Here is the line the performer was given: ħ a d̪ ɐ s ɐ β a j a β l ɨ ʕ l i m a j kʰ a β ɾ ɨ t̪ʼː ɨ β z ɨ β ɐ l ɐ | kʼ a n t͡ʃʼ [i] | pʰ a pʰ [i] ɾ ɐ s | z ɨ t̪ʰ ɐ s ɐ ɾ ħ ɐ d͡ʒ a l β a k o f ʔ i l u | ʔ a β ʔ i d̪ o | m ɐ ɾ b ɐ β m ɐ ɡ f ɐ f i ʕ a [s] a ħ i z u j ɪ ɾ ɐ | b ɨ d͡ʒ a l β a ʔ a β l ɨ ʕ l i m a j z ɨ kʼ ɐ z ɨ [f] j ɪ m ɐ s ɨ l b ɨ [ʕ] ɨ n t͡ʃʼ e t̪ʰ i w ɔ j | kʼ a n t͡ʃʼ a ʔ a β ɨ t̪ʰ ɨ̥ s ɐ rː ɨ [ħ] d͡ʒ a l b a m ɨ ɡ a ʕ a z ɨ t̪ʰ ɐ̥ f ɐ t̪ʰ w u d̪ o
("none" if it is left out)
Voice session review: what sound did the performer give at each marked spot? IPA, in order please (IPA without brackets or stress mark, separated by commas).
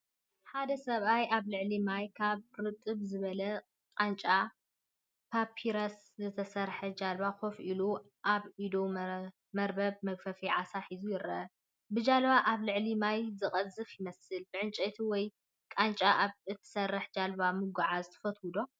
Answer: a, i, s, f, ʕ, ħ